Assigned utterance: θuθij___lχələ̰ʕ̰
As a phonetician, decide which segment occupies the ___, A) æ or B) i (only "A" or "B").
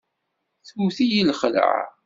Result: B